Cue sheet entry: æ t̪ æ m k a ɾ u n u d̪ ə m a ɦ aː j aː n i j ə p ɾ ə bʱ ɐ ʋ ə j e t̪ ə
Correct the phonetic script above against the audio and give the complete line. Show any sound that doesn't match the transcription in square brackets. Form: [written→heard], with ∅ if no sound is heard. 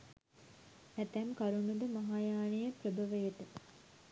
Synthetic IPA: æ t̪ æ m k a ɾ u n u d̪ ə m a ɦ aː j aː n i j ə p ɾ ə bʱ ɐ ʋ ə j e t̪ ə